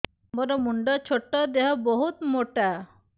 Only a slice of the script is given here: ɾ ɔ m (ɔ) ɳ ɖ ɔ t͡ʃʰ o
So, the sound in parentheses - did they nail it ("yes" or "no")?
no